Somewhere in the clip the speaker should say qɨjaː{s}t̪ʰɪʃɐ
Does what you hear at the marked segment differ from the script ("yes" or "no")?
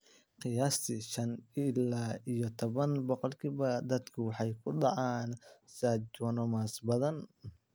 no